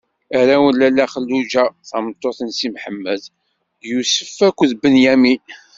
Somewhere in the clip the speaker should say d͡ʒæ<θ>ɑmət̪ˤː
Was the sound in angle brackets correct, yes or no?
yes